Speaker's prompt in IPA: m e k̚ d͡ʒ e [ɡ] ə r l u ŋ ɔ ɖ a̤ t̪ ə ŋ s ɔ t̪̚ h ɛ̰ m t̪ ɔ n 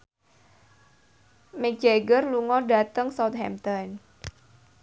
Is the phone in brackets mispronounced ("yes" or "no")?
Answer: no